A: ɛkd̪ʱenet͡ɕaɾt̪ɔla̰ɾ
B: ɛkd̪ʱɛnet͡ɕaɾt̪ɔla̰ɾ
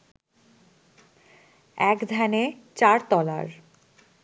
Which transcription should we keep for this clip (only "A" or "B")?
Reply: B